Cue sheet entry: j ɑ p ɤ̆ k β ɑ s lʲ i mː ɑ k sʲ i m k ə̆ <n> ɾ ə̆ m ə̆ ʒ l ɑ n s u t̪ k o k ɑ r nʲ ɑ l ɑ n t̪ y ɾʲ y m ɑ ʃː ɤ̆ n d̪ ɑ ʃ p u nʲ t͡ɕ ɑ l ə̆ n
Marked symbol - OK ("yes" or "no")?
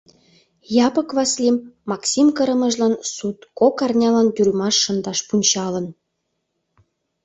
no